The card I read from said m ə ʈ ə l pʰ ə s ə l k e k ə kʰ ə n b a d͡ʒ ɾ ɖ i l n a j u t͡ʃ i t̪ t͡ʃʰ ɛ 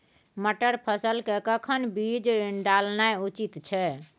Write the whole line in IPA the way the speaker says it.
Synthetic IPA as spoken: m ə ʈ ə ɾ pʰ ə s ə l k e k ə kʰ ə n b i d͡ʒ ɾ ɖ a l n a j u t͡ʃ i t̪ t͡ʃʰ ɛ